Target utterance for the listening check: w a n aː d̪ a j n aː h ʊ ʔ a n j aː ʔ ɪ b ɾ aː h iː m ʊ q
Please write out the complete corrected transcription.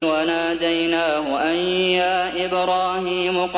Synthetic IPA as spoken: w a n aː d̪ a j n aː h ʊ ʔ a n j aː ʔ ɪ b ɾ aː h iː m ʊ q